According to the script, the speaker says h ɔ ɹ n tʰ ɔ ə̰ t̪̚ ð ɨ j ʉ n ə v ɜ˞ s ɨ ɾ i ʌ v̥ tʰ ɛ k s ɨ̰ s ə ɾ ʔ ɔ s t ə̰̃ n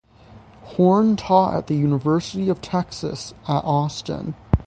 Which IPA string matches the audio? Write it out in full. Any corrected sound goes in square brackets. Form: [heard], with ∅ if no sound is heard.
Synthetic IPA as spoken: h ɔ ɹ n tʰ ɔ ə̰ t̪̚ ð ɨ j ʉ n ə v ɜ˞ s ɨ ɾ i ʌ v̥ tʰ ɛ k s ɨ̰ s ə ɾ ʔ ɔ s t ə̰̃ n